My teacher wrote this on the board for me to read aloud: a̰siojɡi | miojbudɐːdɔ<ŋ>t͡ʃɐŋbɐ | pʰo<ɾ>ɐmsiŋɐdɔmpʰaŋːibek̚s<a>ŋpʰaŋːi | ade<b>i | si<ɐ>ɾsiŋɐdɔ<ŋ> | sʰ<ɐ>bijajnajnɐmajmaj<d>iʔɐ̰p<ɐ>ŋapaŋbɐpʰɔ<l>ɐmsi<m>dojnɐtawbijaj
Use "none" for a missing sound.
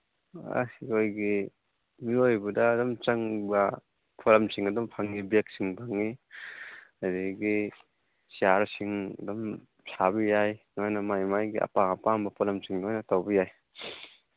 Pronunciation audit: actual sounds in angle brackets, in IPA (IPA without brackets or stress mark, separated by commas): m, l, i, ɡ, a, m, a, ɡ, a, l, ŋ